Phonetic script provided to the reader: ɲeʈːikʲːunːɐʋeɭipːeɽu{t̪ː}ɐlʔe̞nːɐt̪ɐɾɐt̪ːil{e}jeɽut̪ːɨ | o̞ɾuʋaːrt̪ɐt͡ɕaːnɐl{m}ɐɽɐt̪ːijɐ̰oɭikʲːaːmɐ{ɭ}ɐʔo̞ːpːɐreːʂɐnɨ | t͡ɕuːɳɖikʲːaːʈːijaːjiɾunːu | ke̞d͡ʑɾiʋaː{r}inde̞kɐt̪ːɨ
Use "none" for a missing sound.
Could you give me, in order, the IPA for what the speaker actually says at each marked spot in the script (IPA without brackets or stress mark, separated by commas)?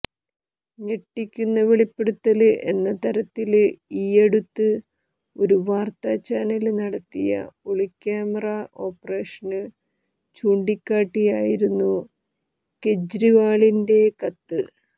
t̪ː, i, n, r, ɭ